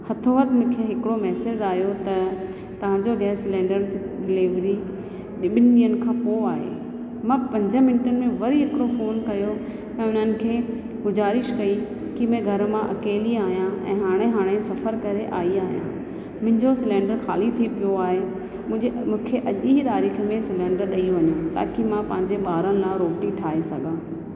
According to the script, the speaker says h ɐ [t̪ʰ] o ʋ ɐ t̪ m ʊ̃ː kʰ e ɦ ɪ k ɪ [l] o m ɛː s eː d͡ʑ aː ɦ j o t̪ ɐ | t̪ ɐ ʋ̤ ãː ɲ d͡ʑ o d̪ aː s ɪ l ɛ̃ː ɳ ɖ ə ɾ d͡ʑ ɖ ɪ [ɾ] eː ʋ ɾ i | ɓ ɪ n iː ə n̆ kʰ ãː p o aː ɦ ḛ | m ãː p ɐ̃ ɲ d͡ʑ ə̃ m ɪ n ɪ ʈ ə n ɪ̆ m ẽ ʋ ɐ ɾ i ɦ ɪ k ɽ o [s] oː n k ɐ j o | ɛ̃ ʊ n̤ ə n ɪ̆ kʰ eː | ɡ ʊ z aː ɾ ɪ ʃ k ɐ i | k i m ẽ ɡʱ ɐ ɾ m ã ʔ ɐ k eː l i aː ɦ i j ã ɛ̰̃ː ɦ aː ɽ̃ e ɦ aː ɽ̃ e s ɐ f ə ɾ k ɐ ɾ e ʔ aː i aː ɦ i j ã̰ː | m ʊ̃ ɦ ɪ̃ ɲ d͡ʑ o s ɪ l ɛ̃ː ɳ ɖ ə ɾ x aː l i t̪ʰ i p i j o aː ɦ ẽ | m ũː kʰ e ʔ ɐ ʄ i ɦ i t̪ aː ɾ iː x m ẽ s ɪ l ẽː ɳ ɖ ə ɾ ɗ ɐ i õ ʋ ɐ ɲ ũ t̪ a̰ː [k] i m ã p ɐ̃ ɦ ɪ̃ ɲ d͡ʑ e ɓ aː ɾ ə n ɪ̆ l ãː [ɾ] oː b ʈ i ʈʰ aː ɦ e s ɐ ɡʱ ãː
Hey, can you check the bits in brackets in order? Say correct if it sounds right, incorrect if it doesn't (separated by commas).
correct, incorrect, incorrect, incorrect, correct, correct